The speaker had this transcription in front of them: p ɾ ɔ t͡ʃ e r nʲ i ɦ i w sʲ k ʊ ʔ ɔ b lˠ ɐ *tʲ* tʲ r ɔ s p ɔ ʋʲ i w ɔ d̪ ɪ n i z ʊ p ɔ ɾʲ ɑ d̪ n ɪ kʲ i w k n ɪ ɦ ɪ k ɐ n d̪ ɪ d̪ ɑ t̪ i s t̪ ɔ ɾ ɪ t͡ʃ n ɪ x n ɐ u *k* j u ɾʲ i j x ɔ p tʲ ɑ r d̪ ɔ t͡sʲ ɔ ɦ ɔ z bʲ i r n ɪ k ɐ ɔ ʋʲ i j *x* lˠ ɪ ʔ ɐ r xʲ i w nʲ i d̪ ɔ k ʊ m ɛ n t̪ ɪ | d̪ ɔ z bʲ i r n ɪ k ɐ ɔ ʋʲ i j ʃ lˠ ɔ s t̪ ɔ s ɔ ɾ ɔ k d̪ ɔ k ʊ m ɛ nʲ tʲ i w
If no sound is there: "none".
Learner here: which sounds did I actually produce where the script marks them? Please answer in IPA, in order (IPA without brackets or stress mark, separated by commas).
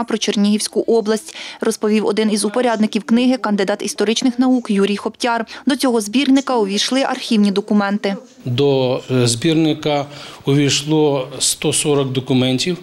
sʲ, k, ʃ